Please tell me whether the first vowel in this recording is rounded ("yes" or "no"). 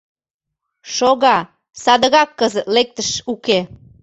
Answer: yes